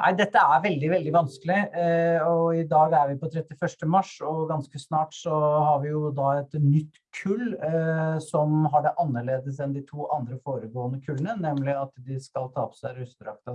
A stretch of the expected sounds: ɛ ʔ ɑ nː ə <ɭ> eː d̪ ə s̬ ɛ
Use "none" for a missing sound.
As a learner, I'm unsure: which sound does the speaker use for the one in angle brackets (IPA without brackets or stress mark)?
ɭ